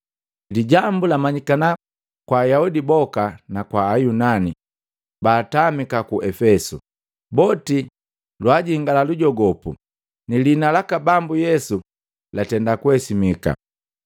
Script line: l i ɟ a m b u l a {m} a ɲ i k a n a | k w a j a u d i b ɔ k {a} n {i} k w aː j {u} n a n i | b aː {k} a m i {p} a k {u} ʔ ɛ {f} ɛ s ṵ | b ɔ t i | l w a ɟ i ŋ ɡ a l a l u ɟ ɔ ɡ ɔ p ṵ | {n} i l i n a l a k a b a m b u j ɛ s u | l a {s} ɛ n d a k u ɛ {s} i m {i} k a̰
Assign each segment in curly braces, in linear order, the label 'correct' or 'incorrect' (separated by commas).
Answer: correct, correct, incorrect, correct, incorrect, incorrect, correct, correct, correct, incorrect, correct, correct